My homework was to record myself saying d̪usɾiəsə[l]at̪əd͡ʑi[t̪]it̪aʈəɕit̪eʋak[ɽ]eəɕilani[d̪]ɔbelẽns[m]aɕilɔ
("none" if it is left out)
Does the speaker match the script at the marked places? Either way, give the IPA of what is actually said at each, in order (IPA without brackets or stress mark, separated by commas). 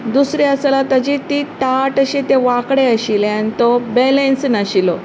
l, t̪, ɽ, t̪, n